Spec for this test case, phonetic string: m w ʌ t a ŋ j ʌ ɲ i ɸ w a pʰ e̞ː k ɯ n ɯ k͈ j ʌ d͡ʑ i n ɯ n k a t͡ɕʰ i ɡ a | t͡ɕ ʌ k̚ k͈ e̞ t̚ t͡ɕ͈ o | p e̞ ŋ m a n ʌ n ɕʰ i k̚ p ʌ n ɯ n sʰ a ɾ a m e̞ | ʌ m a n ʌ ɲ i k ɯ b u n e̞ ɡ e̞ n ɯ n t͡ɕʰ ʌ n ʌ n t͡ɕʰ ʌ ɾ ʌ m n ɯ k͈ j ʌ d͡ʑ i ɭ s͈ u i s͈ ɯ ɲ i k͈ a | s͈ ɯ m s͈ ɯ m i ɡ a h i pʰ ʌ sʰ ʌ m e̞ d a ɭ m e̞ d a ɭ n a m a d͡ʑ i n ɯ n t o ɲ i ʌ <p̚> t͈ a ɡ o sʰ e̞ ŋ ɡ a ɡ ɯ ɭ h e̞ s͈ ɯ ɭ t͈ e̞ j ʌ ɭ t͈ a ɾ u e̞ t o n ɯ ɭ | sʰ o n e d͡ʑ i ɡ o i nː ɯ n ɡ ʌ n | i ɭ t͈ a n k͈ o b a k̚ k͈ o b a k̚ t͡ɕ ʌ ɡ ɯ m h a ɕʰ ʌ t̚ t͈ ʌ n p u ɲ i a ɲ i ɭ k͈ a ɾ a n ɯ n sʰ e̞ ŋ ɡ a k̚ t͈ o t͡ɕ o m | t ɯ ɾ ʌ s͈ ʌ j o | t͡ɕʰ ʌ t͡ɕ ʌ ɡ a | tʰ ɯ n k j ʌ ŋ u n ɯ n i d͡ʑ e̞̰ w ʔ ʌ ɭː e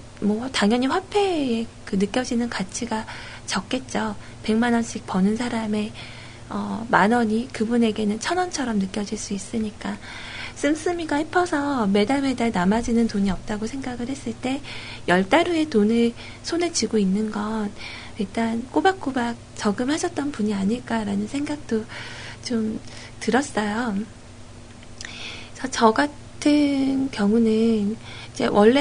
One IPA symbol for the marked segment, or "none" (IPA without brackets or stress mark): p̚